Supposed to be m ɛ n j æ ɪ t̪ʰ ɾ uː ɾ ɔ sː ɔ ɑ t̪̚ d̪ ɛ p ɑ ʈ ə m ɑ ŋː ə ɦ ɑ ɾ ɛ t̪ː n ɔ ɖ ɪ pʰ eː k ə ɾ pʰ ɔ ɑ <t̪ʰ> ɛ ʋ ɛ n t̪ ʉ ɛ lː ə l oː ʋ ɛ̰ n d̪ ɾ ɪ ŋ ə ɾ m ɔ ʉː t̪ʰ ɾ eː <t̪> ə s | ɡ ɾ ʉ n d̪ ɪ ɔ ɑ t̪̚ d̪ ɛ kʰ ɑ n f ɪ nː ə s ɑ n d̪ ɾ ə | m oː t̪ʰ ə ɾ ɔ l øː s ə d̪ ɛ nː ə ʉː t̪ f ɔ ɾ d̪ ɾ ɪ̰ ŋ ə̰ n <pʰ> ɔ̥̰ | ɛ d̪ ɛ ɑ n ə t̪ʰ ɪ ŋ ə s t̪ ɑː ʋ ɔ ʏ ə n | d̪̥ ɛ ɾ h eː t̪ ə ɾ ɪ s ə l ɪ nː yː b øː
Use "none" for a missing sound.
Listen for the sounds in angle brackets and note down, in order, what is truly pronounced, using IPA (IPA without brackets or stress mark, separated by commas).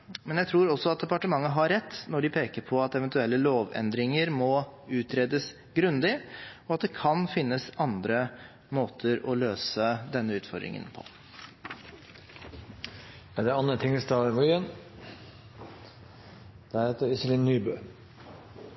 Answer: t̪, d̪, pʰ